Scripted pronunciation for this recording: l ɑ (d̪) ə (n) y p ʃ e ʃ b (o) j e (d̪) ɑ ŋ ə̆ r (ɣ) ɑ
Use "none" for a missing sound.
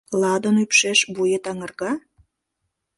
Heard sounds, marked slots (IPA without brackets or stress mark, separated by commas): d̪, n, u, t̪, ɣ